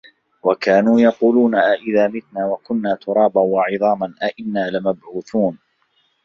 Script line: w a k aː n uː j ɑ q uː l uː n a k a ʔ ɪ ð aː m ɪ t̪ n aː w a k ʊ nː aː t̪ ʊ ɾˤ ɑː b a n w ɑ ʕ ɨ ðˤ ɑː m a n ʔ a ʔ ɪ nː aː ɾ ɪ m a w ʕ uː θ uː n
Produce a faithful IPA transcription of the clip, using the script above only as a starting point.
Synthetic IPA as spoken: w a k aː n uː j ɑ q uː l uː n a ʔ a ʔ ɪ ð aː m ɪ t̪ n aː w a k ʊ nː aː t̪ ʊ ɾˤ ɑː b a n w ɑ ʕ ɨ ðˤ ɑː m a n ʔ a ʔ ɪ nː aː l ɪ m a b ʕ uː θ uː n